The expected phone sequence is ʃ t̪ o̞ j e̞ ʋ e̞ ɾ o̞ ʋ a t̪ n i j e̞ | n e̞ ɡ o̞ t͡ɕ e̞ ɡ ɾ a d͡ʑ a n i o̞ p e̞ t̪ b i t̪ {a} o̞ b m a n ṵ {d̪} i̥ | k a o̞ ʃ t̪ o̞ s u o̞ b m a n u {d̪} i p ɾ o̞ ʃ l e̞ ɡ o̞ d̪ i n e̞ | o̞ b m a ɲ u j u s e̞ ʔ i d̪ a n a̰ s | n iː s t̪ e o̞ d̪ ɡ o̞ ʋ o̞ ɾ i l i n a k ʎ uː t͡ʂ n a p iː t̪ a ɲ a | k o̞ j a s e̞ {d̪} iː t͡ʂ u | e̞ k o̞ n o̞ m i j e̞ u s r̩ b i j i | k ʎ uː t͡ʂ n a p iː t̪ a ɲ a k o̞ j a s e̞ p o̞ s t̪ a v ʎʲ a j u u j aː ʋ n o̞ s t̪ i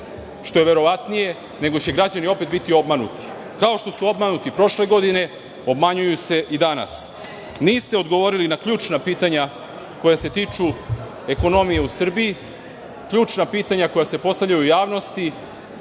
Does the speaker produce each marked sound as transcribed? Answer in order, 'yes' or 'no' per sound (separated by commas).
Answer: no, no, no, no